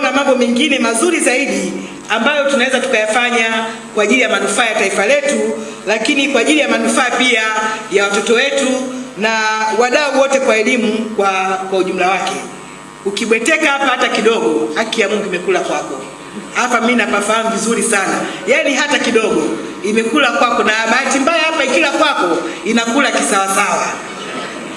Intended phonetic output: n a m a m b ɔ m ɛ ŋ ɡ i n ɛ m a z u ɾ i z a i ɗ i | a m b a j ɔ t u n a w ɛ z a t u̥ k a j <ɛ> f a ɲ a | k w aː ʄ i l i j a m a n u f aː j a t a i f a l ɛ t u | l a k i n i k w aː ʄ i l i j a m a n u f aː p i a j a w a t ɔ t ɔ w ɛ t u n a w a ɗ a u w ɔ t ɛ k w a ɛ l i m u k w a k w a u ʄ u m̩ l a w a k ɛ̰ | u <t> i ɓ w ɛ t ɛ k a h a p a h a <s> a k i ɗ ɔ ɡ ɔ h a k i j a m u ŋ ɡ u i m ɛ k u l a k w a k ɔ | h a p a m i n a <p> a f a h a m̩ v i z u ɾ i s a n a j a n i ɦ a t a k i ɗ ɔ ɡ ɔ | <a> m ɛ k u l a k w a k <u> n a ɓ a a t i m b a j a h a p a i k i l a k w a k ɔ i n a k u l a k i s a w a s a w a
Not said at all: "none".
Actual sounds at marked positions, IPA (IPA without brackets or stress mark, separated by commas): a, k, t, p, i, ɔ